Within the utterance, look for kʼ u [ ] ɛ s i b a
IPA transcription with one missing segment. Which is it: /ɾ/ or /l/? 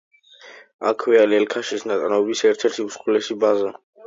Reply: l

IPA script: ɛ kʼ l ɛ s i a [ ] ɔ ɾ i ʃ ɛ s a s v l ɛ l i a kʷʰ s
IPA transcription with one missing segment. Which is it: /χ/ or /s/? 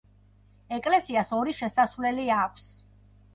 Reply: s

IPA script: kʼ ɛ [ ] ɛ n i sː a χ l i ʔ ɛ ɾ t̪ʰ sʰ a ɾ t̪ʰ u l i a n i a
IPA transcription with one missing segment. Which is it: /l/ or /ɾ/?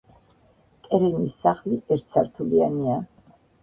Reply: ɾ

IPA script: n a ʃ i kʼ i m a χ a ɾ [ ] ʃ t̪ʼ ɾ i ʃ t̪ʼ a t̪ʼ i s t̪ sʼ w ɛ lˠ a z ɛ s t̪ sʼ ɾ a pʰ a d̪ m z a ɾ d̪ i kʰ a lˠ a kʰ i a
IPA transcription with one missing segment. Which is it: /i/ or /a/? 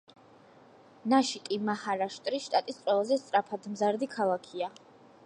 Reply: a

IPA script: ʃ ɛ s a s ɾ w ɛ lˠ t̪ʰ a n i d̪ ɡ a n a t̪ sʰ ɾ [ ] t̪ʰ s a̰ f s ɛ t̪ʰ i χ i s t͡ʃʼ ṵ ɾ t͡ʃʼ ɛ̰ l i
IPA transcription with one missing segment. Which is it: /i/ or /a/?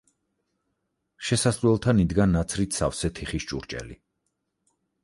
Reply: i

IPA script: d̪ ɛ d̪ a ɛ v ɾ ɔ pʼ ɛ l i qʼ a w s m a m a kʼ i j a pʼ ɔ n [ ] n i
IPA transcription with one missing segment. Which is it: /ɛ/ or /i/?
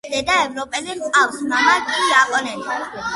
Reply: ɛ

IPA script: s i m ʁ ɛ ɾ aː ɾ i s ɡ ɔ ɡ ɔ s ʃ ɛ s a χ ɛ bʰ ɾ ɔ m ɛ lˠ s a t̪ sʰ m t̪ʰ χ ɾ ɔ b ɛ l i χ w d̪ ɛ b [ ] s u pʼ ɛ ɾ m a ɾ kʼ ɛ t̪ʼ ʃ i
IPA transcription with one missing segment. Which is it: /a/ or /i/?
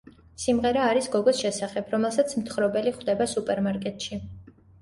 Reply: a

